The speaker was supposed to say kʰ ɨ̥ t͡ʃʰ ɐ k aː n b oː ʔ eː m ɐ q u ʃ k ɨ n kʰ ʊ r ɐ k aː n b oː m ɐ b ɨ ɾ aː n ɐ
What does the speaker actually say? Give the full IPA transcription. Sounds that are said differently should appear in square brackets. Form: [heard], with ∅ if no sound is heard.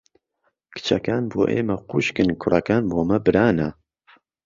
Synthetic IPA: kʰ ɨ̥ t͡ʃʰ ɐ k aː n b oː ʔ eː m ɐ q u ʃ k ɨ n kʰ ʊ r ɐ k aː n b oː m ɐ b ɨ ɾ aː n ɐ